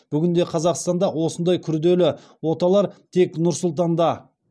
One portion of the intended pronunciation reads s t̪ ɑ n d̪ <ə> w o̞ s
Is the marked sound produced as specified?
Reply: no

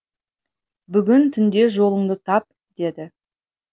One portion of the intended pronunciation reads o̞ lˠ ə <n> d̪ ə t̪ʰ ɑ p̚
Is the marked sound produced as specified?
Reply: no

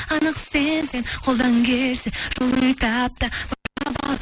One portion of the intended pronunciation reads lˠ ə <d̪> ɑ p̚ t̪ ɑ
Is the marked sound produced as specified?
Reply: no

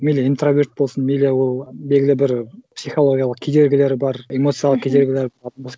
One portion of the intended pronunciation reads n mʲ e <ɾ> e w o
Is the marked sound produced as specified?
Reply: no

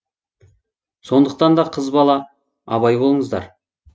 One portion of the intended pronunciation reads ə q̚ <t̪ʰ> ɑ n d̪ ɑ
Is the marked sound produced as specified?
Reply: no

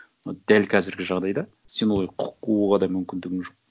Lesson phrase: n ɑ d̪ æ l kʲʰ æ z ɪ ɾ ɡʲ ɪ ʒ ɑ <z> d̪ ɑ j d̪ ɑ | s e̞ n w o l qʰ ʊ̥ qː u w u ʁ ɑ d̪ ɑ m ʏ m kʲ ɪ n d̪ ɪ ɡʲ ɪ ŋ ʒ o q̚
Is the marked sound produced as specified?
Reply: no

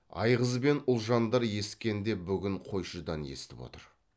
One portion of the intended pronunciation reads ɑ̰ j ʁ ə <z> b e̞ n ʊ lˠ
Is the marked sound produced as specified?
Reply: yes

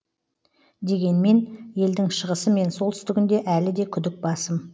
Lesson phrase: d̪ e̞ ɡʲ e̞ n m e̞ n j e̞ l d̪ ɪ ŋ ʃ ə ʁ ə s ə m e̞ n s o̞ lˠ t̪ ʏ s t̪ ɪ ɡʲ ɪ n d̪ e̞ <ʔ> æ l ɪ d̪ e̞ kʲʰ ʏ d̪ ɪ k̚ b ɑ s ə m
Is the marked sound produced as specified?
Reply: yes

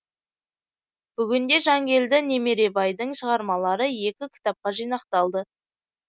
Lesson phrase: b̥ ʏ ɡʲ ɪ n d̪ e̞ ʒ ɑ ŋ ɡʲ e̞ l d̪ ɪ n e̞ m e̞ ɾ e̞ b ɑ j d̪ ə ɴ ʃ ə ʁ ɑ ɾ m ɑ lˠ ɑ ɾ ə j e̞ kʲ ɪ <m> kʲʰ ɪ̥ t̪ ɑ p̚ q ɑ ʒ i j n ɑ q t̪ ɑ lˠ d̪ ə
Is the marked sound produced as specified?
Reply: no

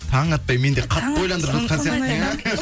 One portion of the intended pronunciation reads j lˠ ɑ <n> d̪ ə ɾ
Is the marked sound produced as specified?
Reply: yes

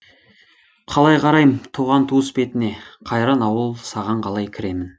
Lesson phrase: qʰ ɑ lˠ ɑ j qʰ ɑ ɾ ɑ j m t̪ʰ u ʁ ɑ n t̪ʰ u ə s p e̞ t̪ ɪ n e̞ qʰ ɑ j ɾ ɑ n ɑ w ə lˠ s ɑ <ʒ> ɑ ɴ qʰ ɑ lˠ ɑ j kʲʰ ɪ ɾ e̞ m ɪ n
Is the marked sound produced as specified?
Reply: no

